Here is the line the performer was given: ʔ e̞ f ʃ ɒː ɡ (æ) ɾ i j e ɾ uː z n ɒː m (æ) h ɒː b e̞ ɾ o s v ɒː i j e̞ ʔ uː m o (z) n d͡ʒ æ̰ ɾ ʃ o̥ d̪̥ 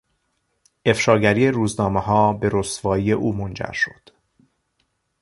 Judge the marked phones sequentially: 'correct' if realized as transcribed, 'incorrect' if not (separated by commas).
correct, incorrect, incorrect